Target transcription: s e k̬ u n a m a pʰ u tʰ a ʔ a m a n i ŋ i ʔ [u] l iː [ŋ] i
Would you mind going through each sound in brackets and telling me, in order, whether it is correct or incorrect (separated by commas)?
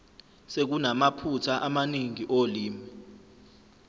incorrect, incorrect